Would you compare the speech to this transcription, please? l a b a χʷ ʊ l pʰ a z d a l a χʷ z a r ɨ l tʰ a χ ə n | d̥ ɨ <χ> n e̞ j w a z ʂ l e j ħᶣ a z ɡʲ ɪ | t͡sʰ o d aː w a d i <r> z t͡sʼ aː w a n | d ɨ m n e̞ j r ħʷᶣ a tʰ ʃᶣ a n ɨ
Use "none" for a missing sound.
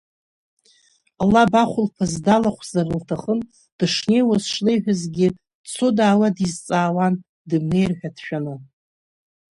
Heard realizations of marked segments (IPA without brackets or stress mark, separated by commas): ʂ, none